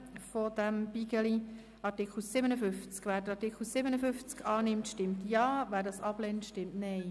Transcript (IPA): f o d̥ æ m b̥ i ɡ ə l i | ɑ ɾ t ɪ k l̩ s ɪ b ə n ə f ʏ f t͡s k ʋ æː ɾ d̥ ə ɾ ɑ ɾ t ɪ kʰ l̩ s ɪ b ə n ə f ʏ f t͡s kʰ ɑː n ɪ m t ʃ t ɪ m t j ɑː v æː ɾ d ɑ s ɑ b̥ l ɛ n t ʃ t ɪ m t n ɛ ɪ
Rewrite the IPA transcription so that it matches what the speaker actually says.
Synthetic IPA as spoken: f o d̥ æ m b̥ i ɡ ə l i | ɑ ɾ t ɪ k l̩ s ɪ b ə n ə f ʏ f t͡s k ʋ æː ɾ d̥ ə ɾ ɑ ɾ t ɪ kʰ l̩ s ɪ b ə n ə f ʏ f t͡s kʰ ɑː n ɪ m t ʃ t ɪ m t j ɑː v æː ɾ d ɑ s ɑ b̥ l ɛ n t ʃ t ɪ m t n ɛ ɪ

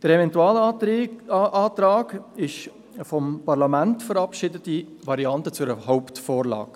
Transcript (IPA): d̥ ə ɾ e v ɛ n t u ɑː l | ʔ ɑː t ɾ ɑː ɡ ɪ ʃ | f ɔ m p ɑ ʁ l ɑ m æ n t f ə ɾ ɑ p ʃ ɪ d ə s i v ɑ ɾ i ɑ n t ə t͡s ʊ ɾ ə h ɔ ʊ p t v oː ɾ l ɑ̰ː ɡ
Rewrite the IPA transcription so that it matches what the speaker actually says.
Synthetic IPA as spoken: d̥ ə ɾ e v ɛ n t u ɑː l | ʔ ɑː t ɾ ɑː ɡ ɪ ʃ | f ɔ m p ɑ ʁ l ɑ m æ n t f ə ɾ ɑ p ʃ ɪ d ə t i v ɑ ɾ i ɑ n t ə t͡s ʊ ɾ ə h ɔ ʊ p t f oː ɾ l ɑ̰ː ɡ

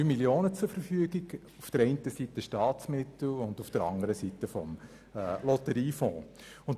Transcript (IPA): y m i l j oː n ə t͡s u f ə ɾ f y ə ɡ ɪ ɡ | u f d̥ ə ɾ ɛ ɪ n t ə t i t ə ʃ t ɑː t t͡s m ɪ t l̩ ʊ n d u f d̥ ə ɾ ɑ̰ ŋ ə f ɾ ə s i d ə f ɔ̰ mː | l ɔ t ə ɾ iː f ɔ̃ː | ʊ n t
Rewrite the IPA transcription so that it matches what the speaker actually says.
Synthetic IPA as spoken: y m i l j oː n ə t͡s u f ə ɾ f y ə ɡ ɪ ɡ | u f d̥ ə ɾ ɛ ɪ n t ə s i t ə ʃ t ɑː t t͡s m ɪ t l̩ ʊ n d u f d̥ ə ɾ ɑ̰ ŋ ə ɾ ə s i t ə f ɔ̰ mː | l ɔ t ə ɾ iː f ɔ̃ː | ʊ n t

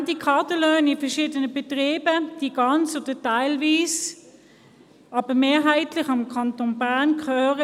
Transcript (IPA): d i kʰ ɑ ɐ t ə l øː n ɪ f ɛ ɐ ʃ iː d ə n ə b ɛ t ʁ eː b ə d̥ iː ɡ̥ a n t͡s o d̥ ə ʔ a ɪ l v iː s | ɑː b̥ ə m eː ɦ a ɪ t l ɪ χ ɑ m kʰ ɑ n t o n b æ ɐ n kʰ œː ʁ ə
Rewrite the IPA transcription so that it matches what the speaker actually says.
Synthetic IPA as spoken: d i kʰ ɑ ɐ t ə l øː n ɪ f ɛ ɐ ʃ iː d ə n ə b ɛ t ʁ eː b ə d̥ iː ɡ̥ ɑ n t͡s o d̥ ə t a ɪ l v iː s | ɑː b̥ ə m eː ɦ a ɪ t l ɪ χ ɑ m kʰ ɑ n t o n b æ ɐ n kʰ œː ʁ ə

